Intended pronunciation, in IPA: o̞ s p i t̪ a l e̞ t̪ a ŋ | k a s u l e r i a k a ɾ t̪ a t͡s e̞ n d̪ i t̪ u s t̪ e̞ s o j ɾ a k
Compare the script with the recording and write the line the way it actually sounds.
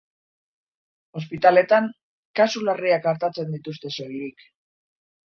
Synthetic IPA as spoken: o̞ s p i t̪ a l e̞ t̪ a ŋ | k a s u l a r i a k a ɾ t̪ a t͡s e̞ n d̪ i t̪ u s t̪ e̞ s o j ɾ i k